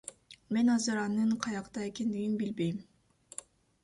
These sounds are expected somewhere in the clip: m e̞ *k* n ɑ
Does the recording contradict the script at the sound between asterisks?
yes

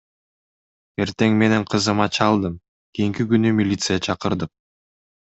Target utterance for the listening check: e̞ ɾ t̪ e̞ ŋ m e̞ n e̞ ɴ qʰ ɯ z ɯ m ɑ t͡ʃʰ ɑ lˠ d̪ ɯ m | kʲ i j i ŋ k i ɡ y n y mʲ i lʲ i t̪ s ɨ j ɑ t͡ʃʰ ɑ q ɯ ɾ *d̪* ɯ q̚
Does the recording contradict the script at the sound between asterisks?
no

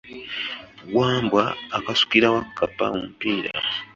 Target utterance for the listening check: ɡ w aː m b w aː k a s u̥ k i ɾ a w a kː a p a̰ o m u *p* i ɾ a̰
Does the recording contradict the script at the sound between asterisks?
no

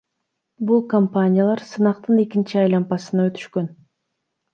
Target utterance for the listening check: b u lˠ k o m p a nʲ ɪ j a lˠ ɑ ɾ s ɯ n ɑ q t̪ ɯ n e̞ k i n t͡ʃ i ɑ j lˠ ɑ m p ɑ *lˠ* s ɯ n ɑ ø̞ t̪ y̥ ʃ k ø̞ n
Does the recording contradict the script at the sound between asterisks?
yes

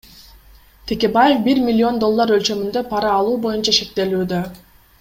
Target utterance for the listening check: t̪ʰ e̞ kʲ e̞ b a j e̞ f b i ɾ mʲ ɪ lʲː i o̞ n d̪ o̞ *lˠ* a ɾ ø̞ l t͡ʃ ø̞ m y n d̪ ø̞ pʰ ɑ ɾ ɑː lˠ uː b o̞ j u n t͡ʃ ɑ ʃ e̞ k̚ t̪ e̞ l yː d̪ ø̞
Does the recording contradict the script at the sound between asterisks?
yes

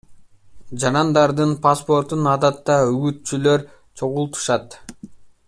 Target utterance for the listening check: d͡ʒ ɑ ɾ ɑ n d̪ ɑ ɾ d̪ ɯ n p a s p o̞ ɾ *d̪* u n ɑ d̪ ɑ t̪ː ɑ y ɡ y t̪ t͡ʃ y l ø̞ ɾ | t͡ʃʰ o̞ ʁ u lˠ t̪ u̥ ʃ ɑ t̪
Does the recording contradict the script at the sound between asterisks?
yes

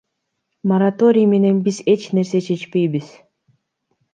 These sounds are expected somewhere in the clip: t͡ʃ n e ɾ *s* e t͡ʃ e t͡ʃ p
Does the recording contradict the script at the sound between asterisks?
no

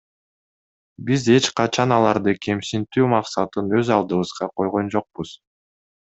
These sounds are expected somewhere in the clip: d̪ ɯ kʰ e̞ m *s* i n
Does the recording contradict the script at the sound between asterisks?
no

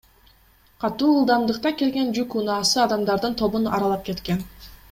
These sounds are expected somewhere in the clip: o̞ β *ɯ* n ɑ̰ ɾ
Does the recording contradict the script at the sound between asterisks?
yes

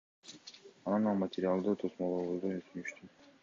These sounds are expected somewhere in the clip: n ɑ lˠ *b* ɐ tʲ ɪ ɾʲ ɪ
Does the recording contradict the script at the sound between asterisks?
yes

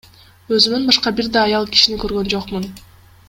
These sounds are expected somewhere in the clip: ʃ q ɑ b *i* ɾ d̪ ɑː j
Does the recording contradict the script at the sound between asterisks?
no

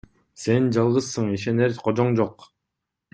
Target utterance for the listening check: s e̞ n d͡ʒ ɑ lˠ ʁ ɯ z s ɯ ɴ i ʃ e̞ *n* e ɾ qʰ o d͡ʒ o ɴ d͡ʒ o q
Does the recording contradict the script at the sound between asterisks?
no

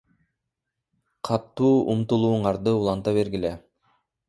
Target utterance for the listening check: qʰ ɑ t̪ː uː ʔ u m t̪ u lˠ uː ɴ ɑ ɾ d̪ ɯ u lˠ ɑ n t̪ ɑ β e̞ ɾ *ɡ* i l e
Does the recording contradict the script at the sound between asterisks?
no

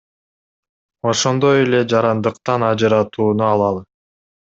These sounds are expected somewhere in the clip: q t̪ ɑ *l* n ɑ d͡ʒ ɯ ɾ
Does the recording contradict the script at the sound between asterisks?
yes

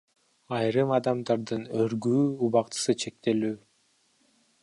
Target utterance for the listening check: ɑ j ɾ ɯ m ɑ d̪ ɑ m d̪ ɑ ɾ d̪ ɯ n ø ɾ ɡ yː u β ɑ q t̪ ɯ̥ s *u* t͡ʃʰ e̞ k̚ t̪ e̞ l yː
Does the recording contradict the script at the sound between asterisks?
yes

